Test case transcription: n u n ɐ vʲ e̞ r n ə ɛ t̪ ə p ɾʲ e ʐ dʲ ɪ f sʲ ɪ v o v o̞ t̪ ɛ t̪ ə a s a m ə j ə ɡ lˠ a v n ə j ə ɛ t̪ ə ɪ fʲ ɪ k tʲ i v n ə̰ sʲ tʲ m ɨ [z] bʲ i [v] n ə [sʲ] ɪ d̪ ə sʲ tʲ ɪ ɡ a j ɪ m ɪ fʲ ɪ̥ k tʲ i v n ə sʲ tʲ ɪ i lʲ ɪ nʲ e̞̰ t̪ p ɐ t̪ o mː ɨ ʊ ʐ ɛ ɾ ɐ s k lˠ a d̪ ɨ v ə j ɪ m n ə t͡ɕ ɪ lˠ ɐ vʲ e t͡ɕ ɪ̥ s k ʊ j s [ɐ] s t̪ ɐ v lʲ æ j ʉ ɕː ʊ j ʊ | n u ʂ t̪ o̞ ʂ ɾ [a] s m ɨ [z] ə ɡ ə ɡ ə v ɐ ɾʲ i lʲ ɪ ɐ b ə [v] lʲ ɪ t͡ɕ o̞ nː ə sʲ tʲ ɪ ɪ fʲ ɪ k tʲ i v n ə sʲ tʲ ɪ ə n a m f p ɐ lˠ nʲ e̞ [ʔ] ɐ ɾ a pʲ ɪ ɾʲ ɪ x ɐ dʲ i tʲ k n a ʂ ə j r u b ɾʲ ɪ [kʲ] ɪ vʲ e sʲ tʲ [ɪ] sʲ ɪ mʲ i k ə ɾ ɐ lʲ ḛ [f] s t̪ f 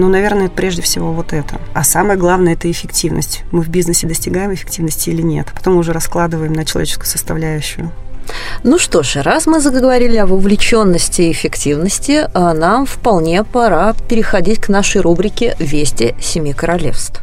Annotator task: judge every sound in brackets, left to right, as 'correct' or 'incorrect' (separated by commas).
incorrect, incorrect, correct, incorrect, correct, correct, correct, incorrect, correct, correct, correct